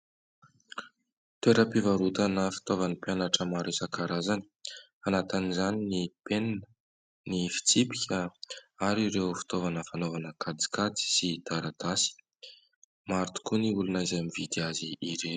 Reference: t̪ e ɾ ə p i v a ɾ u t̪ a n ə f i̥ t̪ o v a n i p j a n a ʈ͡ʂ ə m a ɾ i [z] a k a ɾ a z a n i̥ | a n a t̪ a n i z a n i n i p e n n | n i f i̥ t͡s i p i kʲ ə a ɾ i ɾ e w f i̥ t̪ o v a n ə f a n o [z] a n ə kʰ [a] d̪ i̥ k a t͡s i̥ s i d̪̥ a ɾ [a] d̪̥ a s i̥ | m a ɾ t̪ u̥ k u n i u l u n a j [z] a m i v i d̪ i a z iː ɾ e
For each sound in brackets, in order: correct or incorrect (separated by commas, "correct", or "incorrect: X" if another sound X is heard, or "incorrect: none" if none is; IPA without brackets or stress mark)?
incorrect: s, incorrect: v, correct, correct, correct